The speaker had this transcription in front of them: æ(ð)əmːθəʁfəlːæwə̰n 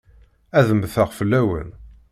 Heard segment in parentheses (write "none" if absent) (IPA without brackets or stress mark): ð